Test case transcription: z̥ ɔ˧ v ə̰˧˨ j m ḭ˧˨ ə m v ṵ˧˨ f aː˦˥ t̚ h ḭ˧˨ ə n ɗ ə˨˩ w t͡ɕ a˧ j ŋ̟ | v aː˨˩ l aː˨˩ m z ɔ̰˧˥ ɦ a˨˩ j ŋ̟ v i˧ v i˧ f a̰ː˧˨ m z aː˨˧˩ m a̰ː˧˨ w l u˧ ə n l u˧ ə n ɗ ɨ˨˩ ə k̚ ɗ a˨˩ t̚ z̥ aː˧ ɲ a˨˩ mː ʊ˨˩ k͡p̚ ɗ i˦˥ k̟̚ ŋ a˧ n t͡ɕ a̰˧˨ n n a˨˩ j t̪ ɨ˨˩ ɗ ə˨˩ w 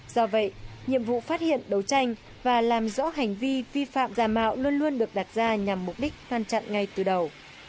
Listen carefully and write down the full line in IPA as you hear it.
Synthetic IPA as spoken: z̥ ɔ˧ v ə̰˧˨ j ɲ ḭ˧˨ ə m v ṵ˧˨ f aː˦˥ t̚ h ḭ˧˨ ə n ɗ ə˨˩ w t͡ɕ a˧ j ŋ̟ | v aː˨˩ l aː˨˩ m z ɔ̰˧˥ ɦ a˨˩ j ŋ̟ v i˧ v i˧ f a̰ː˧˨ m z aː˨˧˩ m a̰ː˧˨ w l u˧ ə n l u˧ ə n ɗ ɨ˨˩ ə k̚ ɗ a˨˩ t̚ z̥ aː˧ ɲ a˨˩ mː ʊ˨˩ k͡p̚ ɗ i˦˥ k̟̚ ŋ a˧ n t͡ɕ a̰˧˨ n ŋ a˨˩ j t̪ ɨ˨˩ ɗ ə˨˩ w

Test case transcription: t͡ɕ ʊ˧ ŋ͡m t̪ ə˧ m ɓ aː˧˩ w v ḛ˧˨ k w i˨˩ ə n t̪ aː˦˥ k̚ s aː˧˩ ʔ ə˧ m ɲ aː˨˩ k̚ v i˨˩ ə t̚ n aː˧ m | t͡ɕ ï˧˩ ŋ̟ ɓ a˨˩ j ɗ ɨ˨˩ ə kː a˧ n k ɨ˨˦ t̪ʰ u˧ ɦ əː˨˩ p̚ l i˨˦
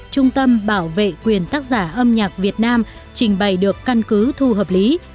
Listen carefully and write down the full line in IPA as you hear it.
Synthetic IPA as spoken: t͡ɕ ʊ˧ ŋ͡m t̪ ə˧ m ɓ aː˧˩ w v ḛ˧˨ k w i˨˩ ə n t̪ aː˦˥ k̚ z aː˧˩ ʔ ə˧ m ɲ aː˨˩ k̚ v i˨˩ ə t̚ n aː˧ m | t͡ɕ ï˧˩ ŋ̟ ɓ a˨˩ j ɗ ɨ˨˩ ə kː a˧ n k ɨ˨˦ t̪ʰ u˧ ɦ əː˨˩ p̚ l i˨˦

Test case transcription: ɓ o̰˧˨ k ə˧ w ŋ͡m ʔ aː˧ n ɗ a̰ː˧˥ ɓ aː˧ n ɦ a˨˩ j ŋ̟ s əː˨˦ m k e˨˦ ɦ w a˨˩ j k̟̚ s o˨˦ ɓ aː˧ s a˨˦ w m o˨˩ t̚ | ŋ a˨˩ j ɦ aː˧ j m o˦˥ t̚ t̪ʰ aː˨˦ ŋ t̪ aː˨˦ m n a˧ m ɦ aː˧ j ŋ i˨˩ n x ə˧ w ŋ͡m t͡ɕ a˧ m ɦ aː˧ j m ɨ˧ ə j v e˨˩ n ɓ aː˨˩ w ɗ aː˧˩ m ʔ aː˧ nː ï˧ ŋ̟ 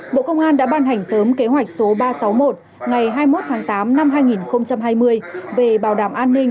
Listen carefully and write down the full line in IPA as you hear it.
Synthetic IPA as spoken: ɓ o̰˧˨ k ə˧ w ŋ͡m ʔ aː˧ n ɗ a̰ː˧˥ ɓ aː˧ n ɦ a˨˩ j ŋ̟ s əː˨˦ m k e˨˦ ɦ w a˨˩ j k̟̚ s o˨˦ ɓ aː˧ s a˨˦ w m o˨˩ t̚ | ŋ a˨˩ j ɦ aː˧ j m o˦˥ t̚ t̪ʰ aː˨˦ ŋ t̪ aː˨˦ m n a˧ m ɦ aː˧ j ŋ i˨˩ n x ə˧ w ŋ͡m t͡ɕ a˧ m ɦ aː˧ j m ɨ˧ ə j v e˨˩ ɓ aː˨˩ w ɗ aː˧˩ m ʔ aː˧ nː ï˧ ŋ̟

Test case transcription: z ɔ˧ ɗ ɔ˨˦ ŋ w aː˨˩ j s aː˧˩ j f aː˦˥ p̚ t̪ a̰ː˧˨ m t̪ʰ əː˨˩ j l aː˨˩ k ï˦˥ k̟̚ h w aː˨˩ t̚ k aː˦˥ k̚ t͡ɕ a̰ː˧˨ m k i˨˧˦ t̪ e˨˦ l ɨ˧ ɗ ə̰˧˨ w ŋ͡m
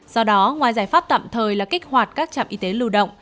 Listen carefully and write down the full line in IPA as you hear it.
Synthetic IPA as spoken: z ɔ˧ ɗ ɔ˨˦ ŋ w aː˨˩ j z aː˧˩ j f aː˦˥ p̚ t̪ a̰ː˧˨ m t̪ʰ əː˨˩ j l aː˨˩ k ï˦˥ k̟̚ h w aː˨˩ t̚ k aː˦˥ k̚ t͡ɕ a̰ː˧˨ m ʔ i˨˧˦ t̪ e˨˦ l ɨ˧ ɗ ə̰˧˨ w ŋ͡m

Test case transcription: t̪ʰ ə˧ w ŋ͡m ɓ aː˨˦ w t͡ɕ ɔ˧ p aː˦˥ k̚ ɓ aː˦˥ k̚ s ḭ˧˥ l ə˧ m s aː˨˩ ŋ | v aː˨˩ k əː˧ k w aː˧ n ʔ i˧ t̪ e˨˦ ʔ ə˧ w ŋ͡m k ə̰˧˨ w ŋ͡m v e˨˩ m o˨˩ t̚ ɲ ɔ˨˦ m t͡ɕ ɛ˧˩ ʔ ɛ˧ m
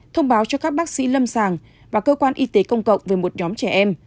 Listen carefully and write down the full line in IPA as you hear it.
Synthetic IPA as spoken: t̪ʰ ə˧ w ŋ͡m ɓ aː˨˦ w t͡ɕ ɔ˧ k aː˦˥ k̚ ɓ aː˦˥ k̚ s ḭ˧˥ l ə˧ m s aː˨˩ ŋ | v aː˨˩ k əː˧ k w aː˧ n ʔ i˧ t̪ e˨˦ k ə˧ w ŋ͡m k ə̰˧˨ w ŋ͡m v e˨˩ m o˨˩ t̚ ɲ ɔ˨˦ m t͡ɕ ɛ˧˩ ʔ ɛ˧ m

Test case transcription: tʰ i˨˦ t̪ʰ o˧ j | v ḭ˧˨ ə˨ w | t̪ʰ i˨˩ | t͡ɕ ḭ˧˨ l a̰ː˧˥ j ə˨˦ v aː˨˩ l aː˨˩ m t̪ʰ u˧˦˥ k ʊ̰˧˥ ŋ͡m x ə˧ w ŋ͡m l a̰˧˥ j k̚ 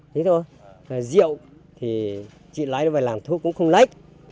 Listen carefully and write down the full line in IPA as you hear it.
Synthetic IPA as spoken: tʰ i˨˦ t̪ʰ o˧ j | z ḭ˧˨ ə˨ w | t̪ʰ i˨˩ | t͡ɕ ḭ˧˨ l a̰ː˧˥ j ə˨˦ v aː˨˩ l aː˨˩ m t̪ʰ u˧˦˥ k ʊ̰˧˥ ŋ͡m x ə˧ w ŋ͡m l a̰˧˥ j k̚

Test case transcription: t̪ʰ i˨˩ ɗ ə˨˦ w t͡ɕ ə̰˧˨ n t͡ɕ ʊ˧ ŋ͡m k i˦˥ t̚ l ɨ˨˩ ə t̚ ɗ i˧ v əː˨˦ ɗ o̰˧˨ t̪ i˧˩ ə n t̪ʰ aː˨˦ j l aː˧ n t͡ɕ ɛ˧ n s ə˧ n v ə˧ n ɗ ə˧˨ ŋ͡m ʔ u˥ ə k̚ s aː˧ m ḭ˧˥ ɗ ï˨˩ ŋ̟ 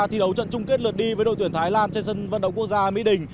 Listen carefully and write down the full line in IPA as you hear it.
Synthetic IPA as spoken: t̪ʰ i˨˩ ɗ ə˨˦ w t͡ɕ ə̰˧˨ n t͡ɕ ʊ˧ ŋ͡m k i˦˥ t̚ l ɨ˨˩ ə t̚ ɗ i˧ v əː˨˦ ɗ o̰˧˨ t̪ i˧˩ ə n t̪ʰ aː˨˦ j l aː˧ n t͡ɕ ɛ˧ n s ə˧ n v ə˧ n ɗ ə˧˨ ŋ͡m k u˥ ə k̚ z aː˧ m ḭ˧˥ ɗ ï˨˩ ŋ̟

